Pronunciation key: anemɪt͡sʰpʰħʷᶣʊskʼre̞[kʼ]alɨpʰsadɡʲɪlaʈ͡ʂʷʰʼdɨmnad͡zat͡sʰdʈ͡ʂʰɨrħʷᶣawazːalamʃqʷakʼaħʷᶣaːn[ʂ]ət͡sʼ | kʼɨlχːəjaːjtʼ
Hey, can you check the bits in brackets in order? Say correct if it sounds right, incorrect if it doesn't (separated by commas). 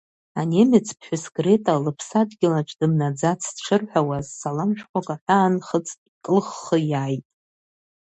incorrect, incorrect